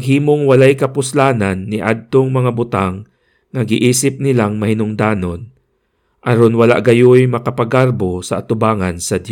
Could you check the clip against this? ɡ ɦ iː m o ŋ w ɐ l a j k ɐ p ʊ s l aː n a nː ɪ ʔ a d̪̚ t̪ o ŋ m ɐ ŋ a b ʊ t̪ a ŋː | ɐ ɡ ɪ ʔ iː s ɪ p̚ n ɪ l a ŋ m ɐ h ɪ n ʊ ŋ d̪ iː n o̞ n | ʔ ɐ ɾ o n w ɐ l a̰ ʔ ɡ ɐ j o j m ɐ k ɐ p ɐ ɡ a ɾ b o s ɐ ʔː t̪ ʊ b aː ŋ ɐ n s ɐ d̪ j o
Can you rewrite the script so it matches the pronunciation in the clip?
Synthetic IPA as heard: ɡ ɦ iː m o ŋ w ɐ l a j k ɐ p ʊ s l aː n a nː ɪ ʔ a d̪̚ t̪ o ŋ m ɐ ŋ a b ʊ t̪ a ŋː | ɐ ɡ ɪ ʔ iː s ɪ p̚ n ɪ l a ŋ m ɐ h ɪ n ʊ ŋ d̪ aː n o̞ n | ʔ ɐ ɾ o n w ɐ l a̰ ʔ ɡ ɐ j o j m ɐ k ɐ p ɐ ɡ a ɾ b o s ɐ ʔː t̪ ʊ b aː ŋ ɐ n s ɐ d̪ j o